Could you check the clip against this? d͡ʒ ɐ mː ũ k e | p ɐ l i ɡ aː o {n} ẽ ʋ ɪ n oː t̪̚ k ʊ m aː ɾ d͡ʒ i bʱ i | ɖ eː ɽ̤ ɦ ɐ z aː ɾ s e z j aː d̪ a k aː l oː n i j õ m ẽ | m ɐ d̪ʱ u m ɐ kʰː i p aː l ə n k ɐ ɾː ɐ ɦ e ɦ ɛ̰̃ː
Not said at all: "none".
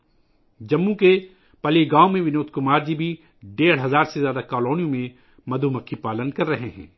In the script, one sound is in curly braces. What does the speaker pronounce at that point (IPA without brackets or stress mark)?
m